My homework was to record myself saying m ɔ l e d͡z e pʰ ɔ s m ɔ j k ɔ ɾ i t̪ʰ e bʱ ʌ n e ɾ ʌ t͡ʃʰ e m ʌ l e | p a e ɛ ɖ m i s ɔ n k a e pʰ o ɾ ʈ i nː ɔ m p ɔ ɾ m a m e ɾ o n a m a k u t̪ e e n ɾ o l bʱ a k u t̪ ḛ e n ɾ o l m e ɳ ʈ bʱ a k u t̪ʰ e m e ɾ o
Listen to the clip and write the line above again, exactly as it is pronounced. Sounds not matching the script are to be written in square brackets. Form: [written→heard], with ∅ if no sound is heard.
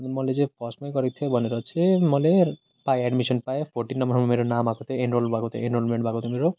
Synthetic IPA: m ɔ l e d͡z e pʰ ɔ s m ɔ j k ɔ ɾ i t̪ʰ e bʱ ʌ n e ɾ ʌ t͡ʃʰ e m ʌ l e | p a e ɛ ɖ m i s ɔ n [k→p] a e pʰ o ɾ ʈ i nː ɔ m [p→b] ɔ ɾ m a m e ɾ o n a m a k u t̪ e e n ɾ o l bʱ a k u t̪ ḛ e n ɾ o l m e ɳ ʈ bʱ a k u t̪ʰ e m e ɾ o